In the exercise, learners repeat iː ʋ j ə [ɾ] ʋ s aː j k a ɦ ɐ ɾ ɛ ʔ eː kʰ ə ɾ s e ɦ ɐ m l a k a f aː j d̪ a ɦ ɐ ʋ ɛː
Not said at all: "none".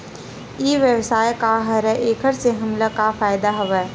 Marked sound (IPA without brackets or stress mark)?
none